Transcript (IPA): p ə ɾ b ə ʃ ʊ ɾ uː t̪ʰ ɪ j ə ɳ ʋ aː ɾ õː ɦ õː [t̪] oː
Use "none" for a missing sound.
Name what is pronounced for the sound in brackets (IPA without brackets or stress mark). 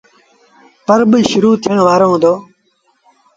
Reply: d̪